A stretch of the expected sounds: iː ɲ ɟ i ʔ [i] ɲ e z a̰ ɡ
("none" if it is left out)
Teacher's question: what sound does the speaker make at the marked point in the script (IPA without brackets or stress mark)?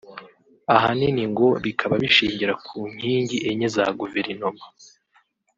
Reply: e